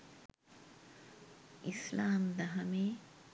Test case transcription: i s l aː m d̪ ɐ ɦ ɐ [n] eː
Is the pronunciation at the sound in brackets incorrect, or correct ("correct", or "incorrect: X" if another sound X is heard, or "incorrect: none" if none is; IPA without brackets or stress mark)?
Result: incorrect: m